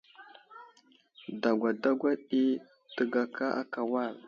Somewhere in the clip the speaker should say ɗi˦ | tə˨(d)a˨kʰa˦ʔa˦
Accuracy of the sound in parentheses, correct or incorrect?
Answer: incorrect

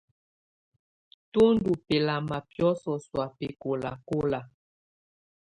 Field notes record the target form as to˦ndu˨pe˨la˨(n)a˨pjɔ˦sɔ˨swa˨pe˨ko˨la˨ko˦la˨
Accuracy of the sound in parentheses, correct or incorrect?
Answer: incorrect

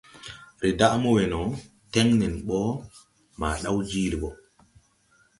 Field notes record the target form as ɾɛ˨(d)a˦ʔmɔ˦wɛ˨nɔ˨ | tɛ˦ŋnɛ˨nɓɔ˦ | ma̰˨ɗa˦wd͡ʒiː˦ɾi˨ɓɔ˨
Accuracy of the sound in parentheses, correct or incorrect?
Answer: correct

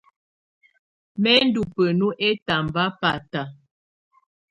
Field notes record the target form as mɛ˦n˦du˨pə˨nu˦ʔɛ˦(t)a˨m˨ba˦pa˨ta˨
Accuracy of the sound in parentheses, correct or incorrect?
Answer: correct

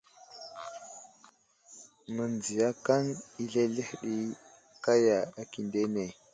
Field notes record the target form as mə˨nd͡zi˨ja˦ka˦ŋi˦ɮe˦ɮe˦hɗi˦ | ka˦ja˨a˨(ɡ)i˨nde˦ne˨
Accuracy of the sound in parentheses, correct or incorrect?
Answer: incorrect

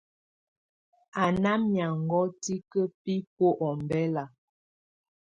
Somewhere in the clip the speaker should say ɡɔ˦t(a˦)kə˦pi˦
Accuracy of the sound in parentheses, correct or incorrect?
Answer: incorrect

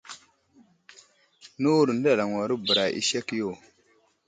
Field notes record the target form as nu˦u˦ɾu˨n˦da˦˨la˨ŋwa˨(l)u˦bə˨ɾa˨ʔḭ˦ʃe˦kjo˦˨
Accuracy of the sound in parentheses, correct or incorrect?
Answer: incorrect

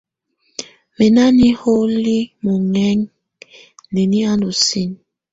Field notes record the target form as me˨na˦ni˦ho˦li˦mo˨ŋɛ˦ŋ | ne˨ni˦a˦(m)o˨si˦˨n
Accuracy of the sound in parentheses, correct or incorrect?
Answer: incorrect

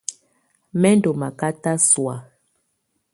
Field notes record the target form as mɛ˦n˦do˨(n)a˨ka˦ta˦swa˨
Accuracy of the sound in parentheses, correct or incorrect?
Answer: incorrect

